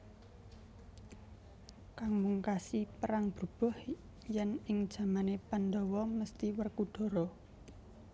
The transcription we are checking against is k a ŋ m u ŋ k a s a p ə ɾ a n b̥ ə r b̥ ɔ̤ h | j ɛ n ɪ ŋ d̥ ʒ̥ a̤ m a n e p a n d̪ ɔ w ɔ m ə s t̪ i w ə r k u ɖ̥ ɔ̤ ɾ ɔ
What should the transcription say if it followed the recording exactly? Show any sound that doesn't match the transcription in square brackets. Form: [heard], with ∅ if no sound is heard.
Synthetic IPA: k a ŋ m u ŋ k a s [i] p ə ɾ a [ŋ] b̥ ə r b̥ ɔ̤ h | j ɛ n ɪ ŋ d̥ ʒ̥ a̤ m a n e p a n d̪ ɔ w ɔ m ə s t̪ i w ə r k u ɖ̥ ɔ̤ ɾ ɔ